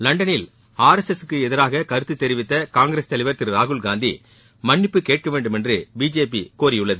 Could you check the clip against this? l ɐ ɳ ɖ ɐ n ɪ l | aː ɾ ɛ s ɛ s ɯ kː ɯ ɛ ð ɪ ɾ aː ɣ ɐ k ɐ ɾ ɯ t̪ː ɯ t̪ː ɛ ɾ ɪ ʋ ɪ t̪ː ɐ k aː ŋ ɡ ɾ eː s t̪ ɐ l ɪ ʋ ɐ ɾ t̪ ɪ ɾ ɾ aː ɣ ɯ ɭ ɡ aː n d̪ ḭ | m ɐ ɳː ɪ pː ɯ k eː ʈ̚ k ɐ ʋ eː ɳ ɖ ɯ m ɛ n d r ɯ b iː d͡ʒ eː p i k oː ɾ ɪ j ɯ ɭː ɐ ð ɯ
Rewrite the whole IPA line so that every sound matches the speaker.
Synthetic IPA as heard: l ɐ ɳ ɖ ɐ n ɪ l | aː ɾ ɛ s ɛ s ɯ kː ɯ ɛ ð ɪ ɾ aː ɣ ɐ k ɐ ɾ ɯ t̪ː ɯ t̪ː ɛ ɾ ɪ ʋ ɪ t̪ː ɐ k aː ŋ ɡ ɾ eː s t̪ ɐ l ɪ ʋ ɐ ɾ t̪ ɪ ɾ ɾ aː ɣ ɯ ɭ ɡ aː n d̪ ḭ | m ɐ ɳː ɪ pː ɯ k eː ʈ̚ k ɐ ʋ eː ɳ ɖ ɯ m ɛ n d r ɯ b iː d͡ʒ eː p i k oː ɾ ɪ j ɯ ɭː ɐ ð ɯ